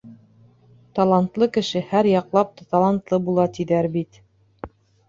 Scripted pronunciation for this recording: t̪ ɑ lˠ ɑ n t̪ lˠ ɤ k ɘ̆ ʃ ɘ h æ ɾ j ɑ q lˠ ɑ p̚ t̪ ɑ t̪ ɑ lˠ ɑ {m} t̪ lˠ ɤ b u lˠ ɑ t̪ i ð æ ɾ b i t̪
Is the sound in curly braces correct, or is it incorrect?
incorrect